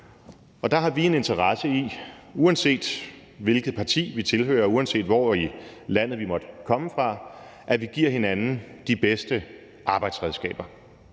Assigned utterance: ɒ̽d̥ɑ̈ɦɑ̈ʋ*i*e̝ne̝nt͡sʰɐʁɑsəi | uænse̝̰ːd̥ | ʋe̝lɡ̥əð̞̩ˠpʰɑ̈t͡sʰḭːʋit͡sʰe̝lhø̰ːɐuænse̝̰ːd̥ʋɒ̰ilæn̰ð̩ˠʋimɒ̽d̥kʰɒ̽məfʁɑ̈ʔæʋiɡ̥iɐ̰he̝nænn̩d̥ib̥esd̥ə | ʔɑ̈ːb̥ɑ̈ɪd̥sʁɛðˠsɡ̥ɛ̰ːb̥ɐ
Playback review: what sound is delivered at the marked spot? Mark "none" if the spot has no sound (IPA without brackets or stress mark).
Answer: i